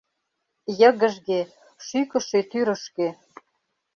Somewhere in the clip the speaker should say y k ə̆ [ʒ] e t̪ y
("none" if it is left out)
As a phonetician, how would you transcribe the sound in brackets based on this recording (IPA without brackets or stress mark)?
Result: ʃ